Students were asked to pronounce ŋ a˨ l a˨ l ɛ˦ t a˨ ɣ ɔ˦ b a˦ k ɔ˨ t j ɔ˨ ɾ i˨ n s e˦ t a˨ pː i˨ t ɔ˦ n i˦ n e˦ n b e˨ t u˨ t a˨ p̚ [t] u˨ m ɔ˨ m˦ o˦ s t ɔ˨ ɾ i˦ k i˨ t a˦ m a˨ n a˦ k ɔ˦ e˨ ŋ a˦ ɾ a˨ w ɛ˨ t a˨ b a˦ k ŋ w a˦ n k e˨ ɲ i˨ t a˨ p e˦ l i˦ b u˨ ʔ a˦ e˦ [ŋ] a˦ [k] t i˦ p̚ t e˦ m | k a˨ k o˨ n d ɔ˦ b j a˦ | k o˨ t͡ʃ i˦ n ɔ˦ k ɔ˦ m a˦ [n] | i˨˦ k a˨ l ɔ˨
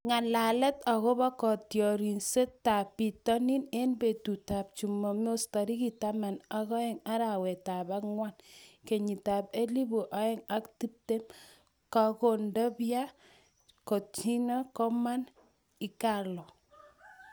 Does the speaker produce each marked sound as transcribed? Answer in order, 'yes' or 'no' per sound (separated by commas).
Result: no, yes, yes, yes